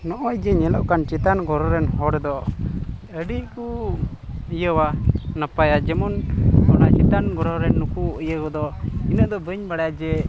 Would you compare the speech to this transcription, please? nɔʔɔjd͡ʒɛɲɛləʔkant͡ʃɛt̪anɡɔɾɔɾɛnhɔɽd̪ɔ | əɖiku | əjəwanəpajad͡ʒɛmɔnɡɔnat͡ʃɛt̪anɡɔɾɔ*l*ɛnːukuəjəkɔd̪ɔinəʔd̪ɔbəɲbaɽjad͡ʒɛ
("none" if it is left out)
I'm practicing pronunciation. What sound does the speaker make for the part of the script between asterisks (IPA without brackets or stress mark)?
ɾ